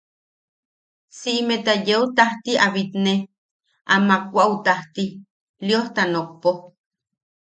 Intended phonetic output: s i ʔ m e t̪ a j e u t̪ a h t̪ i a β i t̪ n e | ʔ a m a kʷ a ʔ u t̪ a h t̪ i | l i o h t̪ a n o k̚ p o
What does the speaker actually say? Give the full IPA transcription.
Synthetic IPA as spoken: s i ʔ m e t̪ a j e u t̪ a h t̪ i a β i t̪ n e | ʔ a m a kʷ a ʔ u t̪ a h t̪ i | l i o h t̪ a n o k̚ p o